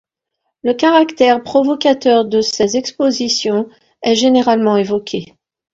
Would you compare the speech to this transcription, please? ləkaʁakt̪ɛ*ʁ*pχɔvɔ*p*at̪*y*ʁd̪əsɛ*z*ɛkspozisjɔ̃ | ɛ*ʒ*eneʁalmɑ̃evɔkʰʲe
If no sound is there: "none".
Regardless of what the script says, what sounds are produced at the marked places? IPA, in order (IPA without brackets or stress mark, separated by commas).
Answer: ʁ, k, œ, z, ʒ